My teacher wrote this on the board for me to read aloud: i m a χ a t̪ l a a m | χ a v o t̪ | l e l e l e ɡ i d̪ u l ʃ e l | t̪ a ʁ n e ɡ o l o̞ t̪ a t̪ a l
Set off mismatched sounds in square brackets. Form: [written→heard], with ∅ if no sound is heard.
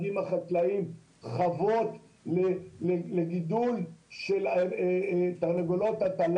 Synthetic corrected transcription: i m a χ a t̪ l a [a→i] m | χ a v o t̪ | l e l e l e ɡ i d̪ u l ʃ e l | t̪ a ʁ n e ɡ o l o̞ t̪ a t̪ a l